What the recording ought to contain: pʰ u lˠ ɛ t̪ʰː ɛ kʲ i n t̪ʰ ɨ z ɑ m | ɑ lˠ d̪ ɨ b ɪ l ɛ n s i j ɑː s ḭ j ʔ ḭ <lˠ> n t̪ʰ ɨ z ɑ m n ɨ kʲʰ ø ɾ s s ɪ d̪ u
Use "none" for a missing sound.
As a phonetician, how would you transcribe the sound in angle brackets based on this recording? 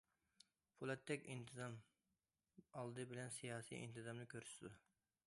none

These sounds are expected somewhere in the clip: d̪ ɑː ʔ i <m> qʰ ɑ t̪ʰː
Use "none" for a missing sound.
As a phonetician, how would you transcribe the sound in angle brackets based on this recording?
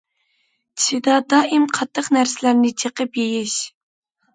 m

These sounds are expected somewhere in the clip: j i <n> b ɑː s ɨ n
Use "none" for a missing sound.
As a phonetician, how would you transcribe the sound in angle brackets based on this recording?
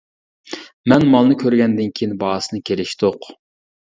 n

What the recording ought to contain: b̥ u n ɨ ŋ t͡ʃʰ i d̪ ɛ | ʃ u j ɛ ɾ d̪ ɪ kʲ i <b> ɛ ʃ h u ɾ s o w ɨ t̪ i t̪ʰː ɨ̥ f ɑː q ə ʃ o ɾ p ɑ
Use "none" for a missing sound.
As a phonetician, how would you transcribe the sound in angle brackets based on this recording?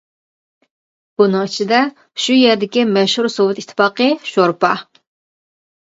m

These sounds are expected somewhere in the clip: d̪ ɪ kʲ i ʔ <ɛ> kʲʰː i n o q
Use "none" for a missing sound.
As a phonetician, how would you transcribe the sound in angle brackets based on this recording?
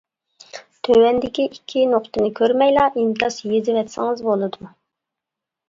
i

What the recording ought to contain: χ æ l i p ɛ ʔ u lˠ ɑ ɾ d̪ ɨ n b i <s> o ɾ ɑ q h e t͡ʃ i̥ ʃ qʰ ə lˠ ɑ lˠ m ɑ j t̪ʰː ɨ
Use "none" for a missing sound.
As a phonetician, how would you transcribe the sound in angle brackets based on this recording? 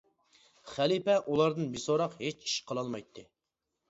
s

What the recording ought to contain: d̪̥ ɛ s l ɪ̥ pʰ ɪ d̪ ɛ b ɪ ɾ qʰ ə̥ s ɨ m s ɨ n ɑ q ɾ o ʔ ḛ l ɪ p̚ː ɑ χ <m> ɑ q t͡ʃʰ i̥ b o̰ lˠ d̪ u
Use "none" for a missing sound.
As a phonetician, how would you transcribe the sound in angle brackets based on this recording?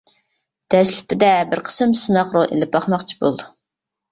m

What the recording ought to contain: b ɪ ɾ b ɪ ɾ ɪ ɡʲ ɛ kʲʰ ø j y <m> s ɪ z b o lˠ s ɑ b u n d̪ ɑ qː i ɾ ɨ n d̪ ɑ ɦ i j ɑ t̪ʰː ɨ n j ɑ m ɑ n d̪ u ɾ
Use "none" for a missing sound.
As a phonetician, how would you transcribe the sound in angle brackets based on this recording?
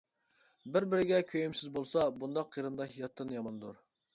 m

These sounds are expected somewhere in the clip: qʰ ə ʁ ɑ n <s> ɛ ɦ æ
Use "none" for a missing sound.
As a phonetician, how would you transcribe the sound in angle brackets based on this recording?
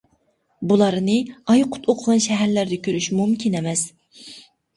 ʃ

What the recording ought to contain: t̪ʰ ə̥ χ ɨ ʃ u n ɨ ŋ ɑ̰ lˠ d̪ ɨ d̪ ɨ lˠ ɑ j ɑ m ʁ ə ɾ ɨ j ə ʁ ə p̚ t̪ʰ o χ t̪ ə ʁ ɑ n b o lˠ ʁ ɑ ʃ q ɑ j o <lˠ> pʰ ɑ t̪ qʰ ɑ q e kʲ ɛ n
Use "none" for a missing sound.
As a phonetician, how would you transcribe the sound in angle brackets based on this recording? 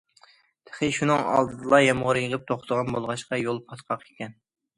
lˠ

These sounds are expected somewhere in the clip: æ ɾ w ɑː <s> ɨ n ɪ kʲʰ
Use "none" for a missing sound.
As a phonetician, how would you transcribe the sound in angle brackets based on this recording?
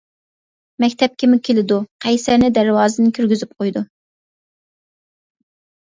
z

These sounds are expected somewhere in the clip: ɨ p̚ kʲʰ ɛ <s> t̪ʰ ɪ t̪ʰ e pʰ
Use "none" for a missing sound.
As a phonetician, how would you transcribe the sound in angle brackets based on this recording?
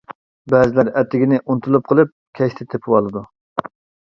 ʃ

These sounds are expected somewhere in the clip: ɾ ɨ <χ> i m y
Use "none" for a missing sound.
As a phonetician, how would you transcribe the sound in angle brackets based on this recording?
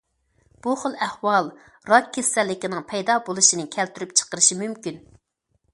ʃ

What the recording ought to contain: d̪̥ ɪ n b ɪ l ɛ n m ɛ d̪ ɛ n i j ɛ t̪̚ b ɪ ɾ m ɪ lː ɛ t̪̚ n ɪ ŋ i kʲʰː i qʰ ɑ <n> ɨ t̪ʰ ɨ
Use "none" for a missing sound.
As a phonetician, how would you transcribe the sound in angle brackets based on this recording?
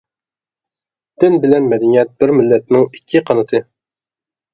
n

